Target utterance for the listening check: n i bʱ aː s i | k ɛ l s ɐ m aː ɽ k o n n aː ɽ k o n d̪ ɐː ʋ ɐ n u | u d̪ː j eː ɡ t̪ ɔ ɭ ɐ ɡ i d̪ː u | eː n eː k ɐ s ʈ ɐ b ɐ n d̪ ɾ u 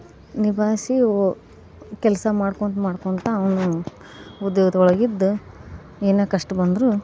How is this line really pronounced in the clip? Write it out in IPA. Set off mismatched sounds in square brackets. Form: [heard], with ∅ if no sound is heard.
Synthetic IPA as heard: n i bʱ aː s i | k ɛ l s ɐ m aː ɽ k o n [m] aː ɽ k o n [t̪] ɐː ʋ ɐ n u | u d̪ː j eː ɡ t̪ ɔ ɭ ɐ ɡ i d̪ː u | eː n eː k ɐ [ʂ] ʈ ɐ b ɐ n d̪ ɾ u